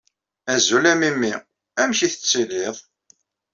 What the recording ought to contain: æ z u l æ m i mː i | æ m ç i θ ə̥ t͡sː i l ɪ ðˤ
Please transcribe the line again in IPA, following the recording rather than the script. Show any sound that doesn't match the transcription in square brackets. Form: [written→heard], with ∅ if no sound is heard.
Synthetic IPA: æ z u l æ m i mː i | æ m ç i θ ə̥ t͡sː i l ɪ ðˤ

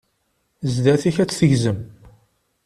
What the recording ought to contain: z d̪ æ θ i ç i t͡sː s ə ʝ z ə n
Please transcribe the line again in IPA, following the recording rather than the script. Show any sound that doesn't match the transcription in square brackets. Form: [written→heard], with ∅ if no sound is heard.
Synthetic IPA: z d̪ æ θ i ç [i→æ] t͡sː [s→θ] ə ʝ z ə [n→m]

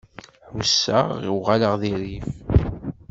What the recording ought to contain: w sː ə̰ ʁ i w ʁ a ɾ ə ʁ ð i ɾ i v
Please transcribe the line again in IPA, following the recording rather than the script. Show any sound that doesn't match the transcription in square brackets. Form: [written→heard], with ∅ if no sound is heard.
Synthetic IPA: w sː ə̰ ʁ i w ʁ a [ɾ→l] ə ʁ ð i ɾ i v

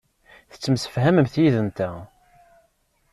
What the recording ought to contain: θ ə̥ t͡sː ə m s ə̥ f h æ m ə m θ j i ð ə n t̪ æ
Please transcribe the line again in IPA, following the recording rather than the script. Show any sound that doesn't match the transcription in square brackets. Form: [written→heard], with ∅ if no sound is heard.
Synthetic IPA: θ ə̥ t͡sː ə m s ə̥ f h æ m ə m θ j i ð ə n t̪ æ

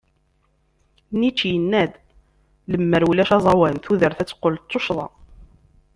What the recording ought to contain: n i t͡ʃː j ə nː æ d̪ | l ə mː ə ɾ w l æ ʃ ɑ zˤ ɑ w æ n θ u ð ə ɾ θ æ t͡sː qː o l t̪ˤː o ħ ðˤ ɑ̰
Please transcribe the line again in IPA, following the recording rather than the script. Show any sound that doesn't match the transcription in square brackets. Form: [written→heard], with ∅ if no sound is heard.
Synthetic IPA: n i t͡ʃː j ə nː æ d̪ | l ə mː ə ɾ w l æ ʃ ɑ zˤ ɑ w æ n θ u ð ə ɾ θ æ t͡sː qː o l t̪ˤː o [ħ→ʃ] ðˤ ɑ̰

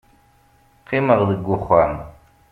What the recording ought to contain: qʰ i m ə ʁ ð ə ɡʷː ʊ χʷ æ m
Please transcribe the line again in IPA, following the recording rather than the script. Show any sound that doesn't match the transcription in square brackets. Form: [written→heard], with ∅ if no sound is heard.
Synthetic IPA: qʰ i m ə ʁ ð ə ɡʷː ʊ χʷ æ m

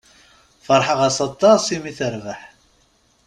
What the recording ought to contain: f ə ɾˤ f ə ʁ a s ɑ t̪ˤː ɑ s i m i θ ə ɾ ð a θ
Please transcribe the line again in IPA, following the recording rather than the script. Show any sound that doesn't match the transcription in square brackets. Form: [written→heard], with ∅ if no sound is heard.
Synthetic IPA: f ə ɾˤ [f→ħ] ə ʁ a s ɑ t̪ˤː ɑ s i m i θ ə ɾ [ð→v] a [θ→ħ]

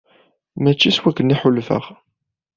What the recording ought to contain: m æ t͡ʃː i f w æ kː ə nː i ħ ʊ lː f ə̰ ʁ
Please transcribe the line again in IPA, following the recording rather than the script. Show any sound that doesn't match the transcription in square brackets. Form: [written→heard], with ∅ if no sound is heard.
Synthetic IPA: m æ t͡ʃː i [f→s] w æ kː ə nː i ħ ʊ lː f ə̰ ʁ

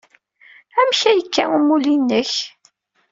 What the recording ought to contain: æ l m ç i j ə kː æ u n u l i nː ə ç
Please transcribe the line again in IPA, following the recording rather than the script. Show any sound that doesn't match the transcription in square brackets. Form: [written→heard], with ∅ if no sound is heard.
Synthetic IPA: æ [l→∅] m ç [i→æ] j ə kː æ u [n→m] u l i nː ə ç

